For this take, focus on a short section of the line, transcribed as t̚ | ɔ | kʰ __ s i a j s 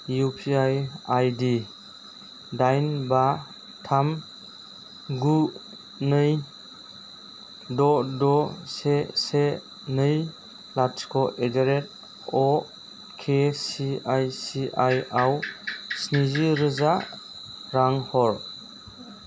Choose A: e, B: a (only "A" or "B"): A